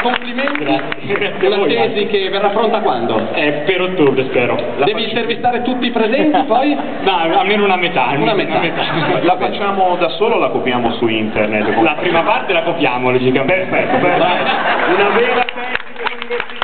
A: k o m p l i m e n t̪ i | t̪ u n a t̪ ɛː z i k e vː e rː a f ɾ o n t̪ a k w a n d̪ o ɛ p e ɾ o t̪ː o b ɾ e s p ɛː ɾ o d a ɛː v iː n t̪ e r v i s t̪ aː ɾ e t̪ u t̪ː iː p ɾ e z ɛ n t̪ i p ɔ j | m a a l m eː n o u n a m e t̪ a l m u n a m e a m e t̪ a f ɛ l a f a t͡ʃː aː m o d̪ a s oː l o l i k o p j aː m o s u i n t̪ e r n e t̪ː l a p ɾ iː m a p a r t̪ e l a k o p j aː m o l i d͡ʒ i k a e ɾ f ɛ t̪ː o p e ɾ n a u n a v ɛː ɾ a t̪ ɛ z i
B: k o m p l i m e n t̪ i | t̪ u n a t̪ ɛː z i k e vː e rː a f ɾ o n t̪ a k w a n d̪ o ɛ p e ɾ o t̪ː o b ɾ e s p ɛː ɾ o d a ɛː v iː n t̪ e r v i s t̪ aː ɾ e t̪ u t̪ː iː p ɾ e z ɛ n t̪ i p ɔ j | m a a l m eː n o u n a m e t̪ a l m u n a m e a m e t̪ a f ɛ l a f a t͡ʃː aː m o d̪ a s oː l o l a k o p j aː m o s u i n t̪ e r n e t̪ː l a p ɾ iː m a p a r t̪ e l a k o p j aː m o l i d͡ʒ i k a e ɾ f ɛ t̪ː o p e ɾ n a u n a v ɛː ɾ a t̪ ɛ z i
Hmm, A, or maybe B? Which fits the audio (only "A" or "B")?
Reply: B